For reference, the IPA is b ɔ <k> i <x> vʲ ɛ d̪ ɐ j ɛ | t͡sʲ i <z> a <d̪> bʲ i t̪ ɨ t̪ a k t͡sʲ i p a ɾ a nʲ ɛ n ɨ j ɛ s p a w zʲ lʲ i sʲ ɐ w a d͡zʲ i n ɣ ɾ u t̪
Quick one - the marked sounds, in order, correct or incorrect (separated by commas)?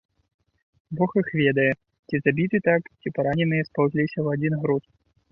incorrect, correct, correct, incorrect